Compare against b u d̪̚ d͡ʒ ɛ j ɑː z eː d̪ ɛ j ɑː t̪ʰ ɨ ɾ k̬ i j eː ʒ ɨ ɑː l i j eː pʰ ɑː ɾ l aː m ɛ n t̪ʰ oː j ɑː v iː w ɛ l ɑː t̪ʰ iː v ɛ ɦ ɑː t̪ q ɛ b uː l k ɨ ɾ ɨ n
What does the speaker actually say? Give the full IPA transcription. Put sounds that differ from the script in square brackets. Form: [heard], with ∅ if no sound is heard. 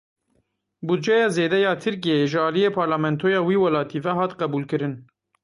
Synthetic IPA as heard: b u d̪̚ d͡ʒ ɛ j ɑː z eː d̪ ɛ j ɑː t̪ʰ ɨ ɾ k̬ i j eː ʒ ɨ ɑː l i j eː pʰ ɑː ɾ l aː m ɛ n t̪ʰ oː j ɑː [w] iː w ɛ l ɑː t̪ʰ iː v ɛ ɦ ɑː t̪ q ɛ b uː l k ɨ ɾ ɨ n